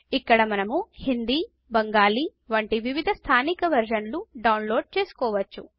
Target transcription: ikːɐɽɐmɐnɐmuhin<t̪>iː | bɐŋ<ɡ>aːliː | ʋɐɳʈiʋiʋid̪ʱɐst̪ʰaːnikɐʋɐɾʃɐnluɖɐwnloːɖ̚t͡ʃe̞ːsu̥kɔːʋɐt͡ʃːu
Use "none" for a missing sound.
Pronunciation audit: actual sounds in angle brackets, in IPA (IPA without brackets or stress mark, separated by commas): d̪, ɡ